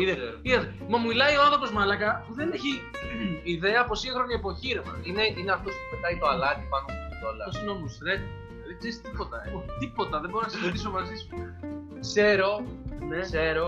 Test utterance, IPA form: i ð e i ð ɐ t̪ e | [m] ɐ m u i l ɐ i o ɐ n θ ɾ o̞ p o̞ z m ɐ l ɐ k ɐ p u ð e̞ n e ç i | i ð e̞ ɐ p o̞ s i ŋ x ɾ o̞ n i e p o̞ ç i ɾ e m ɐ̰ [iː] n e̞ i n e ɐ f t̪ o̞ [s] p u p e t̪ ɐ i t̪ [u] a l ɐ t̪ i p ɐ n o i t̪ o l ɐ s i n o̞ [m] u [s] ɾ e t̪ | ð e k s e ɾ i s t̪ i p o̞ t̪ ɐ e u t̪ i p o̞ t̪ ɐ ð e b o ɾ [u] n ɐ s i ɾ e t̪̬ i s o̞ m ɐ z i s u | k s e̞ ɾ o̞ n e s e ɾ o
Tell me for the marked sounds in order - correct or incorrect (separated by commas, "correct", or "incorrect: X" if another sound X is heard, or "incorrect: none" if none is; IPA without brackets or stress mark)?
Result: correct, incorrect: i, correct, incorrect: o, correct, correct, incorrect: o